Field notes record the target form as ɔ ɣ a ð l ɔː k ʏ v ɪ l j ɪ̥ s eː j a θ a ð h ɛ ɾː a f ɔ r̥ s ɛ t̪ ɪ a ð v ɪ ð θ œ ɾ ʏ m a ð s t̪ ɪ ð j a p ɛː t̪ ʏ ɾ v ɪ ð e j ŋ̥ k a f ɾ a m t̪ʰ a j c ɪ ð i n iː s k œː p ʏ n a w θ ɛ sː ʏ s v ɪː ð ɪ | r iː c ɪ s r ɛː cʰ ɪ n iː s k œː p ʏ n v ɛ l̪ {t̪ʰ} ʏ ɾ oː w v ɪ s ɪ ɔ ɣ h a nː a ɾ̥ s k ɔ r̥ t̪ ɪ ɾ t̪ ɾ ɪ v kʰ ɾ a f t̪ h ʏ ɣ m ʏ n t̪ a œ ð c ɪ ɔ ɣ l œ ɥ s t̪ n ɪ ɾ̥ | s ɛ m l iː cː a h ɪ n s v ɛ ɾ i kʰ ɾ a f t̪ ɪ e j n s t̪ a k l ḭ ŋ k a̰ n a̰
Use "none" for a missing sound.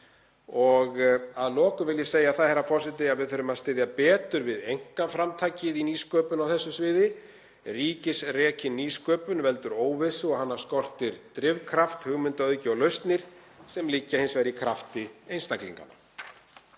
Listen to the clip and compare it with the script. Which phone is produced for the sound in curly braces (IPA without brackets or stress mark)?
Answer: t̪